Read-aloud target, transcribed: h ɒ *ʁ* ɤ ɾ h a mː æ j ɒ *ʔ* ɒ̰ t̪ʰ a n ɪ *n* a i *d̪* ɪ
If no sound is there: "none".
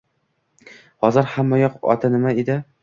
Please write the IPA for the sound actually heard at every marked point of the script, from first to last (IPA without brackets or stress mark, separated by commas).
z, q, m, d̪